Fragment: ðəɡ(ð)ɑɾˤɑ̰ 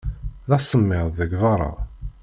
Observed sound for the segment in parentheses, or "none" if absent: v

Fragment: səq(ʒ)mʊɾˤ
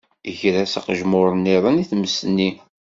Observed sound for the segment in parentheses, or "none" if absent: ʒ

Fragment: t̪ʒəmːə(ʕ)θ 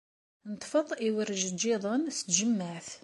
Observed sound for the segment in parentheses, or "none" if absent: ʕ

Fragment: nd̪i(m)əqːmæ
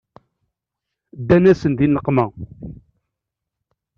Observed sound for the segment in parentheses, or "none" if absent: n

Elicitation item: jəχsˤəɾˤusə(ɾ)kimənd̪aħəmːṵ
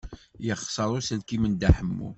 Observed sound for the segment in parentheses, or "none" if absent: l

